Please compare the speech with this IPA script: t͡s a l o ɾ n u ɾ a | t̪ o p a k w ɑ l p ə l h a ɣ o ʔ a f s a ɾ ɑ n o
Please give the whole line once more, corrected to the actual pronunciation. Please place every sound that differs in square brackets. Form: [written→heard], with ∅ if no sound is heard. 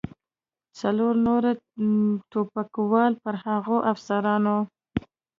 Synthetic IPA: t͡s a l o ɾ n [u→o] ɾ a | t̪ o p a k w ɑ l p ə [l→ɾ] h a ɣ o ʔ a f s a ɾ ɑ n o

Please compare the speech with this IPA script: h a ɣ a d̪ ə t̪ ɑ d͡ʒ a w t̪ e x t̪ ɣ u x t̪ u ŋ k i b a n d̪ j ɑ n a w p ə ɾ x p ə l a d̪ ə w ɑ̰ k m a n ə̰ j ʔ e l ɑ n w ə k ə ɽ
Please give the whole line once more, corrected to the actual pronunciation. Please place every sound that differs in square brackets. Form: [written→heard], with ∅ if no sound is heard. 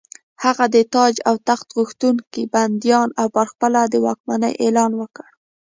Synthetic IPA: h a ɣ a d̪ ə t̪ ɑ d͡ʒ a w t̪ [e→a] x t̪ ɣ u x t̪ u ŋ k i b a n d̪ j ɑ n a w p ə ɾ x p ə l a d̪ ə w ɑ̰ k m a n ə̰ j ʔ e l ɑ n w ə k ə ɽ

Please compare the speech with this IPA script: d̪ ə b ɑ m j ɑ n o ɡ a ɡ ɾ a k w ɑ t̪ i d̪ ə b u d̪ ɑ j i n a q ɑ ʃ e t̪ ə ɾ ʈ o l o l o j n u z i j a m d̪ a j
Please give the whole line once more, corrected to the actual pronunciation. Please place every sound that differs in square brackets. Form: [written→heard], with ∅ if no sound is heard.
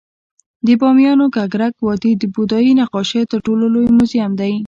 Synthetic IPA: d̪ ə b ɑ m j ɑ n o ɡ a ɡ ɾ a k w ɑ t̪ i d̪ ə b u d̪ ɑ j i n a q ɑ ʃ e t̪ ə ɾ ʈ o l o l o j [n→m] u z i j a m d̪ a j

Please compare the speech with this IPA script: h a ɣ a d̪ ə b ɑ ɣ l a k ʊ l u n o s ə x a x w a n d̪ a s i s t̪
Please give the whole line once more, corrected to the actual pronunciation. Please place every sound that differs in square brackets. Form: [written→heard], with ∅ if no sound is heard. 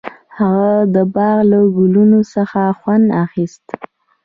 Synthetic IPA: h a ɣ a d̪ ə b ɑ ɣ l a [k→ɡ] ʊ l u n o s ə x a x w a n d̪ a [s→x] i s t̪

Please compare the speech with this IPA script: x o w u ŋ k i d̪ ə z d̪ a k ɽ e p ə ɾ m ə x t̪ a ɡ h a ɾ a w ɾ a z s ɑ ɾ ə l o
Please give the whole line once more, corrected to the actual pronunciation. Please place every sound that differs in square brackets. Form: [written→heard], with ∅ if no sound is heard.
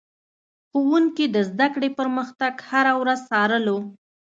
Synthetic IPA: x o w u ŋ k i d̪ ə z d̪ a k ɽ e p ə ɾ m ə x t̪ a ɡ h a ɾ a w ɾ a z s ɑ ɾ ə l o

